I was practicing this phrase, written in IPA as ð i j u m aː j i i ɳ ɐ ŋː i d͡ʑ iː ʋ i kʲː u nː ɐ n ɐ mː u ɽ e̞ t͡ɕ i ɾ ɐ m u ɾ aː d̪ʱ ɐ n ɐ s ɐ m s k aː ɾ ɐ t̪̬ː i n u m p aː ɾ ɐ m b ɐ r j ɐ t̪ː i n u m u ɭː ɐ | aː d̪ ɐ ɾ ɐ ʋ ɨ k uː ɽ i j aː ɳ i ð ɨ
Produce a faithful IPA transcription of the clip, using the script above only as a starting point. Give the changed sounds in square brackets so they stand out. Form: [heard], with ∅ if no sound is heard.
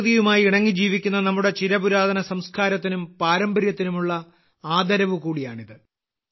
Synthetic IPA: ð i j u m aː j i i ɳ ɐ ŋː i d͡ʑ iː ʋ i kʲː u nː ɐ n ɐ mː u ɽ e̞ t͡ɕ i ɾ ɐ [b] u ɾ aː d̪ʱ ɐ n ɐ s ɐ m s k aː ɾ ɐ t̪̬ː i n u m p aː ɾ ɐ m b ɐ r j ɐ t̪ː i n u m u ɭː ɐ | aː d̪ ɐ ɾ ɐ ʋ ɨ k uː ɽ i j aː ɳ i ð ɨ